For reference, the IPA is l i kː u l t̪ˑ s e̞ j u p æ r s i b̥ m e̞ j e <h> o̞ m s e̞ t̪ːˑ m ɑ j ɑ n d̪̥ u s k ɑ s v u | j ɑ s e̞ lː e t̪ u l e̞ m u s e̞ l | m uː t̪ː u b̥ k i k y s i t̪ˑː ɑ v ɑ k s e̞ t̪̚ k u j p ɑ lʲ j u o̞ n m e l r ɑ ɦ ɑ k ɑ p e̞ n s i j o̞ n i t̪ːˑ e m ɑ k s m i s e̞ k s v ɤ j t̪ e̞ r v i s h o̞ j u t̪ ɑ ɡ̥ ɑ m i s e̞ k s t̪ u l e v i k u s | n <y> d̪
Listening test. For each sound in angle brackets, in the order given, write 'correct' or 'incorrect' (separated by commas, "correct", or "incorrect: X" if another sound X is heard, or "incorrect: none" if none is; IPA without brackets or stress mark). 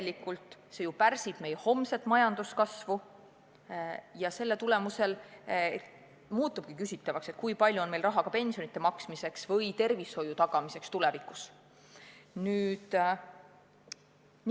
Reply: correct, incorrect: yː